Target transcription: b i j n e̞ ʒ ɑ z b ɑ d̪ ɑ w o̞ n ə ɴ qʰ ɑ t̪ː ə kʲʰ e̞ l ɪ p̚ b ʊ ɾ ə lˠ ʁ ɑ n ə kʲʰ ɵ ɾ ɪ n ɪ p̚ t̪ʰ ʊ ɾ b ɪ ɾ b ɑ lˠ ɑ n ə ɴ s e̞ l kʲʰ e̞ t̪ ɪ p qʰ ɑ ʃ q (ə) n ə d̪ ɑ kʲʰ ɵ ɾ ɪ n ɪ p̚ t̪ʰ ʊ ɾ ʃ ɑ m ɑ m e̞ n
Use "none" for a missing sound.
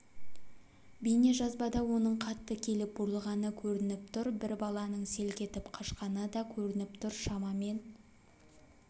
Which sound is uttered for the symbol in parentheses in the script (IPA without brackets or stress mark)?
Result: ɑ